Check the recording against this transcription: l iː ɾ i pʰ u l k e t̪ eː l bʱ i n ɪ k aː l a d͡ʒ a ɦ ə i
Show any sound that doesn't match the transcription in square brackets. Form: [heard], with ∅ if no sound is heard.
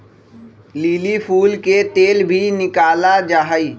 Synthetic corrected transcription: l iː [l] i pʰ [uː] l k e t̪ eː l bʱ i n ɪ k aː l a d͡ʒ a ɦ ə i